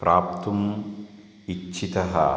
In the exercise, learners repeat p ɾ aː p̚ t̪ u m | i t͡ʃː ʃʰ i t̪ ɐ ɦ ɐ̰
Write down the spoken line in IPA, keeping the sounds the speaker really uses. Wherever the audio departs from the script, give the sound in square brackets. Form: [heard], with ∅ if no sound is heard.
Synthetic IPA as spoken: p ɾ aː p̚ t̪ u m | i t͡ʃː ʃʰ i t̪ ɐ ɦ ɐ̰